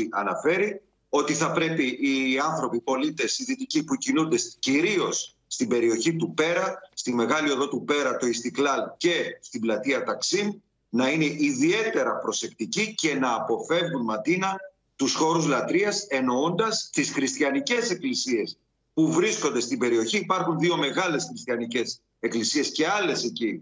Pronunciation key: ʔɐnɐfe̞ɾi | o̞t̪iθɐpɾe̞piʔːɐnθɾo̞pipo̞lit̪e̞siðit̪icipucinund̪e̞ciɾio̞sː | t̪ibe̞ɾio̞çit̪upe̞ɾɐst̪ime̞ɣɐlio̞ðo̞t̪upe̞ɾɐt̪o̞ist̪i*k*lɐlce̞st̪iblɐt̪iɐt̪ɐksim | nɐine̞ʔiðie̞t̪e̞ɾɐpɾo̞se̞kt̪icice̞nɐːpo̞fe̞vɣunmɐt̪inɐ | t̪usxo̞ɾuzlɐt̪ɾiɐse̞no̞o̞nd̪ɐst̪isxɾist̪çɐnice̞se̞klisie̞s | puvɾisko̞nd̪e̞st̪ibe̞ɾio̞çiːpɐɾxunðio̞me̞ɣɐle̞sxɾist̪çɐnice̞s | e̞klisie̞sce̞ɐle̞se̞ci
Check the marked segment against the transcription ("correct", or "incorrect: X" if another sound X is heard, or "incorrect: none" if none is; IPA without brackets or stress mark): correct